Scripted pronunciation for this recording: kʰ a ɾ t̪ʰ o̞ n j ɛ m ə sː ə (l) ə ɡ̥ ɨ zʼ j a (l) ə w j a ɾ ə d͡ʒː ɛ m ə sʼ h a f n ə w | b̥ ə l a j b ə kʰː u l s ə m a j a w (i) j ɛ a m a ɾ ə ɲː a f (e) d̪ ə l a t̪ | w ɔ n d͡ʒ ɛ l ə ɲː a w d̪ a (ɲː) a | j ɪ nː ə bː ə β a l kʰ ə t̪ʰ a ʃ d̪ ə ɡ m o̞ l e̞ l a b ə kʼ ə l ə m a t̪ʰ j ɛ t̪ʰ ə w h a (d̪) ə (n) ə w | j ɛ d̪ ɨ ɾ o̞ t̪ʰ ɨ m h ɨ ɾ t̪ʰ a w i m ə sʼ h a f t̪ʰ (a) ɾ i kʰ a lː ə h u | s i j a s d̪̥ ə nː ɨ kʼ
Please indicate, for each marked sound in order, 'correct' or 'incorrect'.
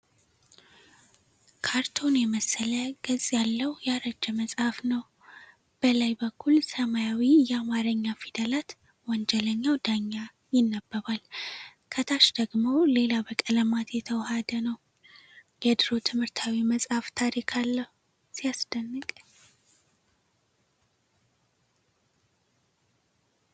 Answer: correct, incorrect, correct, incorrect, correct, correct, correct, correct

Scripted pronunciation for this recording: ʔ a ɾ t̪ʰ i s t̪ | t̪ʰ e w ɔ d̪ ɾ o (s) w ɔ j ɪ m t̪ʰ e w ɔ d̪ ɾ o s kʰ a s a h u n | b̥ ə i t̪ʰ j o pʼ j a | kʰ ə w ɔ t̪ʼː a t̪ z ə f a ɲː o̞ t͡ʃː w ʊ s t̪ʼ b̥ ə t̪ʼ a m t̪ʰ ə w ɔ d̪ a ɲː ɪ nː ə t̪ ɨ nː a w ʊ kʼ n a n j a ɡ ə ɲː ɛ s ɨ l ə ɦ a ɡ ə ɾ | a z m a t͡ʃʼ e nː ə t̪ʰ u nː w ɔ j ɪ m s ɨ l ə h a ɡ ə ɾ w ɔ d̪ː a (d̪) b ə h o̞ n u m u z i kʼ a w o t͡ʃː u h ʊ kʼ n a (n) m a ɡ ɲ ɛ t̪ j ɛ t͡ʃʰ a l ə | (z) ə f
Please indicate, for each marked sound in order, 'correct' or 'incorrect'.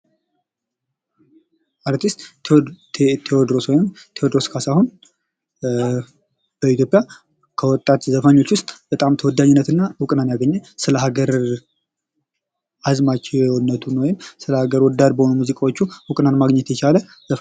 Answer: correct, correct, correct, correct

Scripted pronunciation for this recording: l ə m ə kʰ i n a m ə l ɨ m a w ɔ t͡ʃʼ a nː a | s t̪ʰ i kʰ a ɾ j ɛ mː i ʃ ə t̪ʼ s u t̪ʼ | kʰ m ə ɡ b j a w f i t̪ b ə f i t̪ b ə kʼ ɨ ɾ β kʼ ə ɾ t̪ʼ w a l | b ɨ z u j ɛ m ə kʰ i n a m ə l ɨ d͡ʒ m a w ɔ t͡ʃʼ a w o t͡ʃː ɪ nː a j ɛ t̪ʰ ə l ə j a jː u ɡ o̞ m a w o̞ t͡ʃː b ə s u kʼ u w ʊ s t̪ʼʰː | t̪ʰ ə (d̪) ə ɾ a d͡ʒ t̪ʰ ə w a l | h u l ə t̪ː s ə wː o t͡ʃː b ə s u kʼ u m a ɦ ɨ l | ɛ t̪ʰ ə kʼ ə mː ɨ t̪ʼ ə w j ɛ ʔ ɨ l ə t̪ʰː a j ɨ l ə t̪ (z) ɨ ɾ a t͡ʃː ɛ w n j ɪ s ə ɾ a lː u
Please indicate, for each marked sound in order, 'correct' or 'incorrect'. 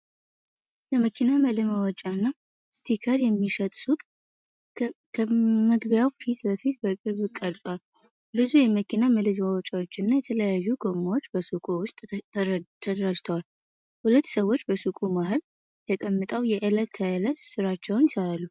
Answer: correct, incorrect

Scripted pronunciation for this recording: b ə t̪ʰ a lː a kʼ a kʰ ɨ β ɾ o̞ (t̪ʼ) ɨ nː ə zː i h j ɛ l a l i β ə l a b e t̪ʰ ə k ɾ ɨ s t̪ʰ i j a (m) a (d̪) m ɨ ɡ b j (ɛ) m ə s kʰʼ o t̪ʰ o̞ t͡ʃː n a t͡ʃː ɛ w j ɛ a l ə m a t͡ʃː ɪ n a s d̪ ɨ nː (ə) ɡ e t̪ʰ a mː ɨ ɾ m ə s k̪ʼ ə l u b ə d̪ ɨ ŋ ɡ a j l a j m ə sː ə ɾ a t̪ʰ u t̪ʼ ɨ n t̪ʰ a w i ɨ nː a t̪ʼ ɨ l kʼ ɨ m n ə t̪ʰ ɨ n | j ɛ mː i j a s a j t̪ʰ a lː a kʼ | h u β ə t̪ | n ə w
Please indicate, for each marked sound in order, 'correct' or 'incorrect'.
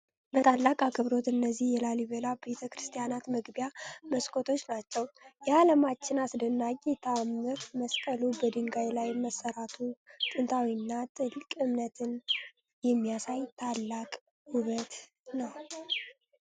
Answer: incorrect, incorrect, incorrect, incorrect, incorrect

